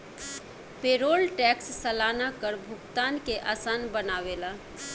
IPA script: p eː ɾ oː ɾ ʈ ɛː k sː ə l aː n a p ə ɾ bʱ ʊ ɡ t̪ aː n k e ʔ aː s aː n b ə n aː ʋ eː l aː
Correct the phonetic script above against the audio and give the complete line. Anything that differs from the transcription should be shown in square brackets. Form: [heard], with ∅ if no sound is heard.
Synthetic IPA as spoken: p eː ɾ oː [l] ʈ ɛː k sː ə l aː n a [k] ə ɾ bʱ ʊ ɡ t̪ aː n k e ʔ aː s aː n b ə n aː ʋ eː l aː